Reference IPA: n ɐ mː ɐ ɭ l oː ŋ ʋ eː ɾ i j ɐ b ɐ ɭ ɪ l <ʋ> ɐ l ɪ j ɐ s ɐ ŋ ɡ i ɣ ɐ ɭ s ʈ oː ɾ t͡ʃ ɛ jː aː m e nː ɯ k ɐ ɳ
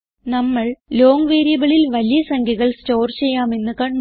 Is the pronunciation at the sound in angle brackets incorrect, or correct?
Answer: correct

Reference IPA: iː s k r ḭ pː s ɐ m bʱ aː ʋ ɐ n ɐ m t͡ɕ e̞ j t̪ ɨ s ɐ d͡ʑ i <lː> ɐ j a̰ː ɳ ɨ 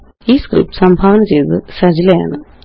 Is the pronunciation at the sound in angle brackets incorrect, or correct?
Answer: incorrect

